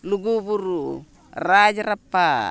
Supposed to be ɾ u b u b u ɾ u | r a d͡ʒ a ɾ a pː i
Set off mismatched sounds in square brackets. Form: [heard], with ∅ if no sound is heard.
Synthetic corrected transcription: [l] u [ɡ] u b u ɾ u | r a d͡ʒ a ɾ a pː [a]